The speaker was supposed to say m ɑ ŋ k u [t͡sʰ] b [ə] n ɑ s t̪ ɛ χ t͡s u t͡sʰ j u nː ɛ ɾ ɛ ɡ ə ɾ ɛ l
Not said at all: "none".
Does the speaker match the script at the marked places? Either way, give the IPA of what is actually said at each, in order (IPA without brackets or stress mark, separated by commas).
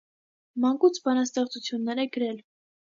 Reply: t͡sʰ, ɑ